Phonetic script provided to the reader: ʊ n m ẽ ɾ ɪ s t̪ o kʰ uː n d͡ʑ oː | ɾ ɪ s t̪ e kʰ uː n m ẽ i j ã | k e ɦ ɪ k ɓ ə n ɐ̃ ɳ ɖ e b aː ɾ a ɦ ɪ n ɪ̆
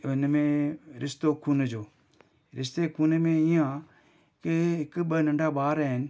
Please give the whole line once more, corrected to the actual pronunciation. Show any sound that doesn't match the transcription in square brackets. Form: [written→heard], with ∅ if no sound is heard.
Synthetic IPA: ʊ n m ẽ ɾ ɪ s t̪ o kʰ uː n d͡ʑ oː | ɾ ɪ s t̪ e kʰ uː n m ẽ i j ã | k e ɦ ɪ k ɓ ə n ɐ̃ ɳ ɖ [e→a] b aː ɾ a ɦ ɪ n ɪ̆

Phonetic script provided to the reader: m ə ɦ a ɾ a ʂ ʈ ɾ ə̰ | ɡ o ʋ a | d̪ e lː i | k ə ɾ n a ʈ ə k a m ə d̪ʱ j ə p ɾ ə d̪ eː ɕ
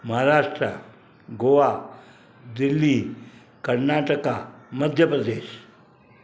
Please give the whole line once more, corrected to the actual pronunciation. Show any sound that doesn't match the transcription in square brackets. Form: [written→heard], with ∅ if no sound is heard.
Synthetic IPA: m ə ɦ a ɾ a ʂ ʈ ɾ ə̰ | ɡ o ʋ a | d̪ [e→i] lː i | k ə ɾ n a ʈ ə k a m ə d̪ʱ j ə p ɾ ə d̪ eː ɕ

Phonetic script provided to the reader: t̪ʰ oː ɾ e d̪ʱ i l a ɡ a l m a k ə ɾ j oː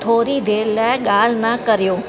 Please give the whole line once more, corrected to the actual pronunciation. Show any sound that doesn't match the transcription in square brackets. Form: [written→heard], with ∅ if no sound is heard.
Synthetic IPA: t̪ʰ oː ɾ [e→i] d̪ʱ [i→e] l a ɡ a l [m→n] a k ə ɾ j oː

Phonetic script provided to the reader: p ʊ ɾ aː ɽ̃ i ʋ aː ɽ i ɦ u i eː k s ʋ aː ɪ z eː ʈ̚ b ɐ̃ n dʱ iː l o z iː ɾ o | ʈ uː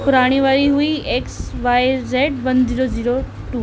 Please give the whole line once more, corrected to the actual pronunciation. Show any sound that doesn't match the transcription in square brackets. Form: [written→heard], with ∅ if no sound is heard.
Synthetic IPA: p ʊ ɾ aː ɽ̃ i ʋ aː [ɽ→ɾ] i ɦ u i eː k s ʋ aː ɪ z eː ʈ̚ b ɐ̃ n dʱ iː [l→ɾ] o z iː ɾ o | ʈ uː

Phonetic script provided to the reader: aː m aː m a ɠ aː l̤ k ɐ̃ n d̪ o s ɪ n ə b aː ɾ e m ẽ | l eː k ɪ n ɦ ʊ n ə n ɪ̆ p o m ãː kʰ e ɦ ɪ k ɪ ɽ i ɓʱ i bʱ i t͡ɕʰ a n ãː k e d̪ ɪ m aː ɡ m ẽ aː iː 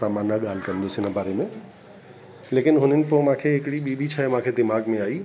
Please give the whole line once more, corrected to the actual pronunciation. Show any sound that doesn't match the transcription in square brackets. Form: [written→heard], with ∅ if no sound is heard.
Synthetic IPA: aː m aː [m→n] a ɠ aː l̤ k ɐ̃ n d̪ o s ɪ n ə b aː ɾ e m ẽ | l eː k ɪ n ɦ ʊ n ə n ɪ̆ p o m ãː kʰ e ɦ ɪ k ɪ ɽ i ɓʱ i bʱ i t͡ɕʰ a [n→m] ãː [k→kʰ] e d̪ ɪ m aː ɡ m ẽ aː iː

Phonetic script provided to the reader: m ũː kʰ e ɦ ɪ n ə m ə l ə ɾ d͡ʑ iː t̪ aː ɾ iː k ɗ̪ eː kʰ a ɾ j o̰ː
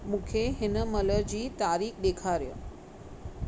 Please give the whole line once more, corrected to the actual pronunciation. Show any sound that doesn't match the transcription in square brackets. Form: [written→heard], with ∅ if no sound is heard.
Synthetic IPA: m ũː kʰ e ɦ ɪ n ə m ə l ə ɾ d͡ʑ iː t̪ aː ɾ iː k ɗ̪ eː kʰ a ɾ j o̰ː

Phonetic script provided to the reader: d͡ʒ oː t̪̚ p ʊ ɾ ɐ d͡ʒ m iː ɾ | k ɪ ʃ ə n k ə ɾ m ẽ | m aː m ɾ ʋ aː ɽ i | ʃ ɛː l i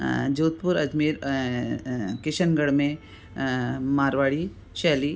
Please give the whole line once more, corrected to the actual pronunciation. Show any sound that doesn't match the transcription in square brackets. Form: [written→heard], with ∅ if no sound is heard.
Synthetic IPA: d͡ʒ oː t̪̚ p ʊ ɾ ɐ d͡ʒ m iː ɾ | k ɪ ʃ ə n [k→ɡ] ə [ɾ→ɽ] m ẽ | m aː [m→∅] ɾ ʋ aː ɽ i | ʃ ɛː l i

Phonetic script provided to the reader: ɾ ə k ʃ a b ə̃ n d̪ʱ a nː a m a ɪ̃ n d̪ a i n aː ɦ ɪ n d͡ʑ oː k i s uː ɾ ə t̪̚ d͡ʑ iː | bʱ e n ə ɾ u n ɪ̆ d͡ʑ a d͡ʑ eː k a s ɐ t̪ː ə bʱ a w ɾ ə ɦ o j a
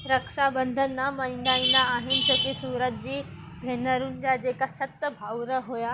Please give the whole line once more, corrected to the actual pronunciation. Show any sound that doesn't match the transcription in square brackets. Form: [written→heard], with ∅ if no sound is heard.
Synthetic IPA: ɾ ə k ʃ a b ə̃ n d̪ʱ [a→ə] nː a m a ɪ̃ n d̪ a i n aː ɦ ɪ n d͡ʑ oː k i s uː ɾ ə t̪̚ d͡ʑ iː | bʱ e n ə ɾ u n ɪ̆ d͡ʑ a d͡ʑ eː k a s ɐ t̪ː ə bʱ a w ɾ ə ɦ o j a

